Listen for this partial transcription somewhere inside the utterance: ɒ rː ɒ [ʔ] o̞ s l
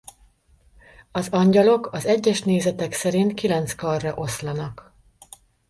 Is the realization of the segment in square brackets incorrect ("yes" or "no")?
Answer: no